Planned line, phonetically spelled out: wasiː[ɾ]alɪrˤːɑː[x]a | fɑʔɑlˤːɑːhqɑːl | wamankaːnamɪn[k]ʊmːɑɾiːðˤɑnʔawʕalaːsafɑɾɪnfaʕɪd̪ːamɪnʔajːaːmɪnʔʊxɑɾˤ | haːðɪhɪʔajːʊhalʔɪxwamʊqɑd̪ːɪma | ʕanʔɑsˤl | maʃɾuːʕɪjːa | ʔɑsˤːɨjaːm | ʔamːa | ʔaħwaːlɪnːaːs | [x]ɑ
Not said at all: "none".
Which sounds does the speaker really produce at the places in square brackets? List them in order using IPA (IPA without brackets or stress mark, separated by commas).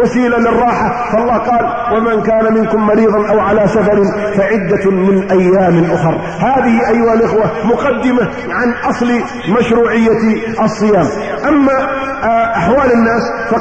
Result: l, ħ, k, f